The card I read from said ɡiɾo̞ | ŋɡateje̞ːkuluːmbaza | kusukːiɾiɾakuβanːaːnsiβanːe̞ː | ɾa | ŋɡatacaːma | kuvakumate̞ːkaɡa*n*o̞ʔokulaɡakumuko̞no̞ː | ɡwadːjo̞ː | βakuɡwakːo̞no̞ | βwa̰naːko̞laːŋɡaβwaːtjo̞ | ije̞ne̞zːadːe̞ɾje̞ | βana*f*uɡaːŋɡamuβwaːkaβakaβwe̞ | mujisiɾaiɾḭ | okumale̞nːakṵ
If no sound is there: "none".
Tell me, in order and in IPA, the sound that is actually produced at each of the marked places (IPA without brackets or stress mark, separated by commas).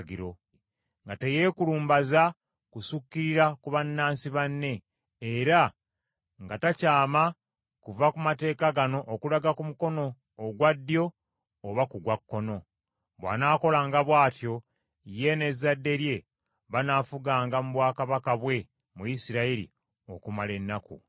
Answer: n, f